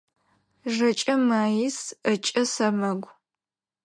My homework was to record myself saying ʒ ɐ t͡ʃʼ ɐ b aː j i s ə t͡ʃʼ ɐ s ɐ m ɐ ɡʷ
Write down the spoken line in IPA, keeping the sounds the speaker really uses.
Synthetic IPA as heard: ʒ ɐ t͡ʃʼ ɐ m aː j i s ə t͡ʃʼ ɐ s ɐ m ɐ ɡʷ